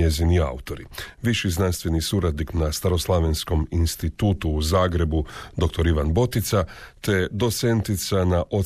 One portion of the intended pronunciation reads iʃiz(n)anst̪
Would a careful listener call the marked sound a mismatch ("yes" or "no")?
no